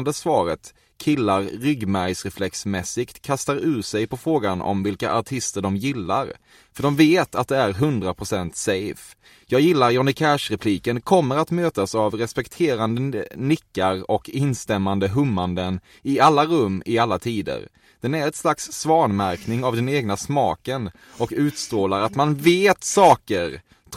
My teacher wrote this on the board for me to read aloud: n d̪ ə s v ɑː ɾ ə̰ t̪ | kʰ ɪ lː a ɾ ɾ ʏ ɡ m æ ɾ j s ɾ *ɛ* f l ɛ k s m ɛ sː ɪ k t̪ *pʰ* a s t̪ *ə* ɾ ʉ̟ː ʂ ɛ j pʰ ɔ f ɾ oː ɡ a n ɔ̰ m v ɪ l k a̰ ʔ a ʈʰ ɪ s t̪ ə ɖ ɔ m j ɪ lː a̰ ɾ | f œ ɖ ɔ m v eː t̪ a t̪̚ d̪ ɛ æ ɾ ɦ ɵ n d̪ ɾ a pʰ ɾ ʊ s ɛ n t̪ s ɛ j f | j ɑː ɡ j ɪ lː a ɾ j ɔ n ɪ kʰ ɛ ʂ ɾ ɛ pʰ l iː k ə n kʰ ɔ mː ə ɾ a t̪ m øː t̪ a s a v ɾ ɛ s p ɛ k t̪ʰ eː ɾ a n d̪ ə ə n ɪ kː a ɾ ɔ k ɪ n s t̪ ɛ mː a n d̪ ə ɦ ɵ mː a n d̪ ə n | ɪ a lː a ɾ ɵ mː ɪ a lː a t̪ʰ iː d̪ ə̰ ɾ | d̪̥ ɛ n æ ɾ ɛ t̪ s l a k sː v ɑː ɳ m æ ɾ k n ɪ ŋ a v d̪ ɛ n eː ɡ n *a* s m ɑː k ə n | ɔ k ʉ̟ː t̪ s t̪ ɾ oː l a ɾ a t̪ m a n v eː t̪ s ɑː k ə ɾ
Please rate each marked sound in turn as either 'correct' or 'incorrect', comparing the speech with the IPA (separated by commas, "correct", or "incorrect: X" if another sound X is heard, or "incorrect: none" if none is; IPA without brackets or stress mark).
correct, incorrect: kʰ, incorrect: a, correct